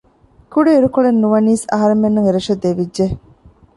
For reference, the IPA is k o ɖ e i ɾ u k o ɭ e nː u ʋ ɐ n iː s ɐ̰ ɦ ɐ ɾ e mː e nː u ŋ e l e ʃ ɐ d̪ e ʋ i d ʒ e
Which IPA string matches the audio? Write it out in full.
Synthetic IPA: k u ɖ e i ɾ u k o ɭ e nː u ʋ ɐ n iː s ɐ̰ ɦ ɐ ɾ e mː e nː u ŋ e ɾ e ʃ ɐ d̪ e ʋ i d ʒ e